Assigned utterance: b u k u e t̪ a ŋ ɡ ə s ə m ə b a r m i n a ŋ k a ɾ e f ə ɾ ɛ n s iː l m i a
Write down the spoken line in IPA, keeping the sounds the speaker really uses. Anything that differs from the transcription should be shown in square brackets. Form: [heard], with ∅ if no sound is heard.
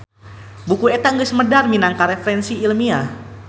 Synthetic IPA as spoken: b u k u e t̪ a ŋ ɡ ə s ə m ə [d] a r m i n a ŋ k a ɾ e f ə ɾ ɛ n s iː l m i a